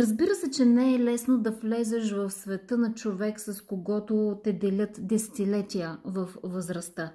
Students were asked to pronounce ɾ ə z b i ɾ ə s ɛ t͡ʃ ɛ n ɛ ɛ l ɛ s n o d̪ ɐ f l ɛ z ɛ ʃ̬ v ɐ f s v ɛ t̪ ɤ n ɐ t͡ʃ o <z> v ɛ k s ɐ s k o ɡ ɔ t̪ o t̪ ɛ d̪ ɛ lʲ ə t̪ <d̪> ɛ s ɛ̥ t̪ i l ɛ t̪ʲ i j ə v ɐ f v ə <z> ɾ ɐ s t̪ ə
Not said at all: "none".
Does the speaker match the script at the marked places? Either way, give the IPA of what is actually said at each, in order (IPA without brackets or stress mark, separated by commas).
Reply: none, d̪, z